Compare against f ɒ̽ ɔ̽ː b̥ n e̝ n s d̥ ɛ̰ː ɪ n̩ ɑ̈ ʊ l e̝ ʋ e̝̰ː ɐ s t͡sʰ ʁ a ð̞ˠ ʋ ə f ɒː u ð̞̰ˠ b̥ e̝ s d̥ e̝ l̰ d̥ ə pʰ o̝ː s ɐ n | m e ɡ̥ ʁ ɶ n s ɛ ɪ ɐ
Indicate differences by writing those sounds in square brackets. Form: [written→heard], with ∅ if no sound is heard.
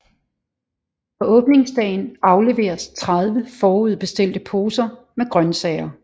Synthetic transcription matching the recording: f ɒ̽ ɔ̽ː b̥ n e̝ [n→ŋ] s d̥ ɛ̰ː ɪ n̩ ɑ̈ ʊ l e̝ ʋ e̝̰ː ɐ s t͡sʰ ʁ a ð̞ˠ ʋ ə f ɒː u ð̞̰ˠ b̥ e̝ s d̥ e̝ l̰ d̥ ə pʰ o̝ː s ɐ [n→∅] | m e ɡ̥ ʁ ɶ n s ɛ ɪ ɐ